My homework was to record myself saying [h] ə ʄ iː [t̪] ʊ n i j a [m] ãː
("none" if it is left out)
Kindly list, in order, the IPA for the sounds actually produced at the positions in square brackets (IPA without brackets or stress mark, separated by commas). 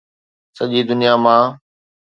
s, d̪, m